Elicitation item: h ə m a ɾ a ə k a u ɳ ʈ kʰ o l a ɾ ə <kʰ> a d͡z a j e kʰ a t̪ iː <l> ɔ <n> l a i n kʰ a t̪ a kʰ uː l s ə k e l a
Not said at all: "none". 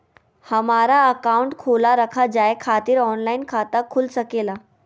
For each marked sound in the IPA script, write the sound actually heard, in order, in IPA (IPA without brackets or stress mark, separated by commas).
kʰ, ɾ, n